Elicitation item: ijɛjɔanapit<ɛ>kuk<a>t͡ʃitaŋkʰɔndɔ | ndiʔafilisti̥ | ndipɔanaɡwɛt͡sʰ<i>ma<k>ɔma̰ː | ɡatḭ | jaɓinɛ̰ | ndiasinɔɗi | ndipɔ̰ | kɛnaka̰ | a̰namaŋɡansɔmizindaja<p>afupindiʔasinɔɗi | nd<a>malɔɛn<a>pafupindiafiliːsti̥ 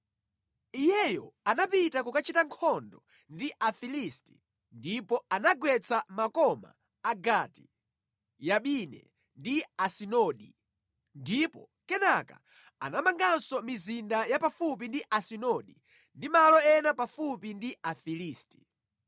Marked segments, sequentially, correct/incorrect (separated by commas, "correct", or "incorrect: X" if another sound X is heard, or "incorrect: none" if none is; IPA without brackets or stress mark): incorrect: a, correct, incorrect: a, correct, correct, incorrect: i, correct